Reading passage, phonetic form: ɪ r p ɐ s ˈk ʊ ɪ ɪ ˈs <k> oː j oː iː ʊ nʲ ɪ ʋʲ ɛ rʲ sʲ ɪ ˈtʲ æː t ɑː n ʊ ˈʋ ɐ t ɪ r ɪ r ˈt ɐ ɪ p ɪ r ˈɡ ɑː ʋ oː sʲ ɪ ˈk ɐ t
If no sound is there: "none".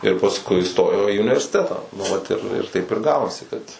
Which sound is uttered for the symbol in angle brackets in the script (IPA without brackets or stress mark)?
t